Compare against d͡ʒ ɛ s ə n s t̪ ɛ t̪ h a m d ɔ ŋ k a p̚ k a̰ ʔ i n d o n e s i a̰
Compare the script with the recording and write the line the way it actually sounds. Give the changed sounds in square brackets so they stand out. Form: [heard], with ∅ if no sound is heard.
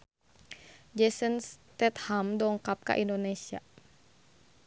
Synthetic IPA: d͡ʒ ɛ s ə n s t̪ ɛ t̪ h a m d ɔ ŋ k a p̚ k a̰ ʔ i n d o n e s i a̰